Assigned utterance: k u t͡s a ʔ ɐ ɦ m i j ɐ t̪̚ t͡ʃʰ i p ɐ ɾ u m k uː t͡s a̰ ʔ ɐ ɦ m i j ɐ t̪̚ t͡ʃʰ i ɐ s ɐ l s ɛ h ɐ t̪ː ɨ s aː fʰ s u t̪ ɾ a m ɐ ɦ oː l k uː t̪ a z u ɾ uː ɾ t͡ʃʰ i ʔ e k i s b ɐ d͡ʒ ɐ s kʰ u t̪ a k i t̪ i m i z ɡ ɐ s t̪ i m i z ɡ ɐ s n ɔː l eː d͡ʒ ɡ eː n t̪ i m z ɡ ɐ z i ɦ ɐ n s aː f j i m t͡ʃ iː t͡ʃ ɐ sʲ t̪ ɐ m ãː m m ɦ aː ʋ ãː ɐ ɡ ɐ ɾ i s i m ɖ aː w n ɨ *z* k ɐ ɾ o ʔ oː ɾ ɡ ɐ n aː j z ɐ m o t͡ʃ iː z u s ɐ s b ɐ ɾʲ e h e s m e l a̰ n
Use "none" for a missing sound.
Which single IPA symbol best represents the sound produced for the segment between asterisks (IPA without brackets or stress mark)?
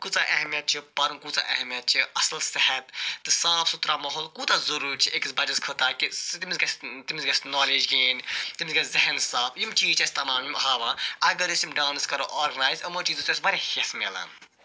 s